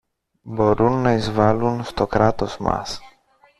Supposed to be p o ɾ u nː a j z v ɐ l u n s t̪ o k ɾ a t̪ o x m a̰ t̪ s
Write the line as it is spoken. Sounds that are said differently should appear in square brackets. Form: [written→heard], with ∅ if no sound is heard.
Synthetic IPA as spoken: [p→b] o ɾ u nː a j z v [ɐ→a] l u n s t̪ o k ɾ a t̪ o [x→s] m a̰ [t̪→∅] s